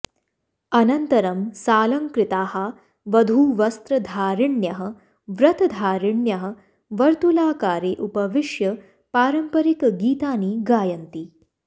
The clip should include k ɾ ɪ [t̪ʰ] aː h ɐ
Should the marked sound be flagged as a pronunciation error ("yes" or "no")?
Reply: yes